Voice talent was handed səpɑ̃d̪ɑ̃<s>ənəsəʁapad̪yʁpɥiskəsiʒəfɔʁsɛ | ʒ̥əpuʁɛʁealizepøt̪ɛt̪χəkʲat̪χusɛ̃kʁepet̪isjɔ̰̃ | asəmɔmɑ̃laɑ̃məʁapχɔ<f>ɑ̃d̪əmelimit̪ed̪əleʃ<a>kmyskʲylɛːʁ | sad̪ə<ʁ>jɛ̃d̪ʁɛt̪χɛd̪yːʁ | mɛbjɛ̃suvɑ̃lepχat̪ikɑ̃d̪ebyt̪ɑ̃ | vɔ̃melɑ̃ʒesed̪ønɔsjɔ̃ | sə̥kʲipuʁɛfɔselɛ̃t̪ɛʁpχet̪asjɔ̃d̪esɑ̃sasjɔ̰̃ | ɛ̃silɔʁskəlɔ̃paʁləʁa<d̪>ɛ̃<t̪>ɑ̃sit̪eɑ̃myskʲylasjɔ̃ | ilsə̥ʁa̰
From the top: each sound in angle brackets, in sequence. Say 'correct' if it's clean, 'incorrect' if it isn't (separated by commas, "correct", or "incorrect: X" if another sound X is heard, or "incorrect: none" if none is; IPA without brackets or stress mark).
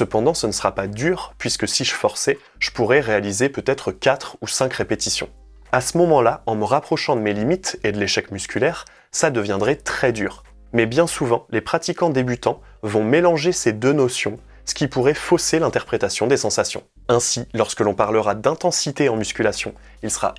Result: correct, incorrect: ʃ, incorrect: ɛ, incorrect: v, correct, correct